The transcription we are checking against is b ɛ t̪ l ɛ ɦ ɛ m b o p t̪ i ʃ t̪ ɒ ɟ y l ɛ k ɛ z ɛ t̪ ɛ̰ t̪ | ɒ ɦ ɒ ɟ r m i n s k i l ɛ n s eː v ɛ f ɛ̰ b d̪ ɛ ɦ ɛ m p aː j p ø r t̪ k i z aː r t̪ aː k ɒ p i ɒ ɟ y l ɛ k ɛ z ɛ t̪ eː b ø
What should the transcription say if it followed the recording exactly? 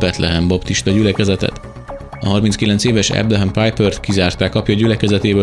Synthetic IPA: b ɛ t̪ l ɛ ɦ ɛ m b o p t̪ i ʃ t̪ ɒ ɟ y l ɛ k ɛ z ɛ t̪ ɛ̰ t̪ | ɒ ɦ ɒ r m i n s k i l ɛ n s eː v ɛ ʃ ɛ̰ b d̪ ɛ ɦ ɛ m p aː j p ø r t̪ k i z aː r t̪ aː k ɒ p j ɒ ɟ y l ɛ k ɛ z ɛ t̪ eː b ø